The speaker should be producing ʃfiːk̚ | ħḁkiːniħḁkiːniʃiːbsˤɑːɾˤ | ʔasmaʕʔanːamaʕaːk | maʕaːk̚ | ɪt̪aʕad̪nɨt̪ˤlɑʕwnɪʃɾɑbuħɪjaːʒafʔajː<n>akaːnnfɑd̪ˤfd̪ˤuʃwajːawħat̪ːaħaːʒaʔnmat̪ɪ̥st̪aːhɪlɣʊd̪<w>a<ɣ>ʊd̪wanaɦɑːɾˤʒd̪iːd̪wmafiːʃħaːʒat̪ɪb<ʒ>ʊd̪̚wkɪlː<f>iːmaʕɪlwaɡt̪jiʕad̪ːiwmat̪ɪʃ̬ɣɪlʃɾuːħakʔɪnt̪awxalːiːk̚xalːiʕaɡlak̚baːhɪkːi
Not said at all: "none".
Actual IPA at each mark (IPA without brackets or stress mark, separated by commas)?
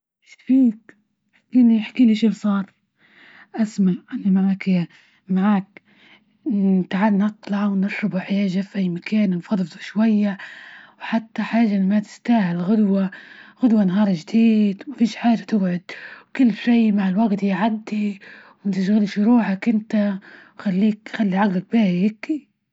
m, w, ɣ, ʕ, ʃ